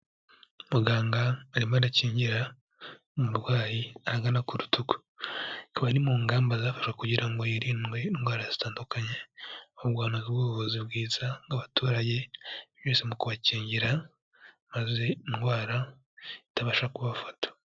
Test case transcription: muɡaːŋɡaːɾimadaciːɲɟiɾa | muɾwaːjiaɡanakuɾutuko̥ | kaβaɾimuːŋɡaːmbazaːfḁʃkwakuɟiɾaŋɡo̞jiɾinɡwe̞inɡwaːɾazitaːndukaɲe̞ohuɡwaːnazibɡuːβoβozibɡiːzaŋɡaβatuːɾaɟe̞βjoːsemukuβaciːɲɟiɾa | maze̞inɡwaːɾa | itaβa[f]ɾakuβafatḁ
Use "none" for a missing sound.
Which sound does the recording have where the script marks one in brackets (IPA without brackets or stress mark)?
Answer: ʃ